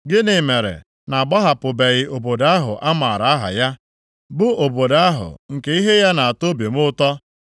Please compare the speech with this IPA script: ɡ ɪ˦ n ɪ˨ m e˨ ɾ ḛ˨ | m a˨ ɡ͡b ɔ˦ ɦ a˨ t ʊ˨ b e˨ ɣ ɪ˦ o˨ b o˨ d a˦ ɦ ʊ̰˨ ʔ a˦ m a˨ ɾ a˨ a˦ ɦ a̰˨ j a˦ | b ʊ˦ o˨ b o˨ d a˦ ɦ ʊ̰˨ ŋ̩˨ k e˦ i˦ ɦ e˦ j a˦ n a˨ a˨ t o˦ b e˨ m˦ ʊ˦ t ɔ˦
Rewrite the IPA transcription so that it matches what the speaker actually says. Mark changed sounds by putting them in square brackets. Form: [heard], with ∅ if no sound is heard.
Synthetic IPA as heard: ɡ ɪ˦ n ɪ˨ m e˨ ɾ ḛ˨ | [n] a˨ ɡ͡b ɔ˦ ɦ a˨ [p] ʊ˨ b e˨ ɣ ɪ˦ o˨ b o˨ d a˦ ɦ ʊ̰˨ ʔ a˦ m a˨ ɾ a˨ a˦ ɦ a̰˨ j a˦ | b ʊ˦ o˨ b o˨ d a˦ ɦ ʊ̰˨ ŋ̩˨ k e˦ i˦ ɦ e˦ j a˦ n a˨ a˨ t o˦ b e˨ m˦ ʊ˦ t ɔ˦